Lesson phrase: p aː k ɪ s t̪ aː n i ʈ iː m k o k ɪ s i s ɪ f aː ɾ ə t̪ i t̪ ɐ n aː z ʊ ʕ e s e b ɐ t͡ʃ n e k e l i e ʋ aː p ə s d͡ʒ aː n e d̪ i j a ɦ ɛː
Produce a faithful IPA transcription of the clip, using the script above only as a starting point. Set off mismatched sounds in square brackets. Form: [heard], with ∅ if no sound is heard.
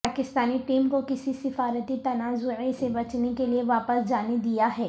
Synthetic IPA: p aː k ɪ s t̪ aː n i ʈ iː m k o k ɪ s i s ɪ f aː ɾ ə t̪ i t̪ ɐ n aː z ʊ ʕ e s e b ɐ t͡ʃ n e k e l i e ʋ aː p ə s d͡ʒ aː n e d̪ i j a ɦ ɛː